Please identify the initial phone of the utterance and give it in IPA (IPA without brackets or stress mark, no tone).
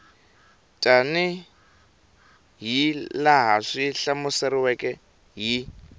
tʼ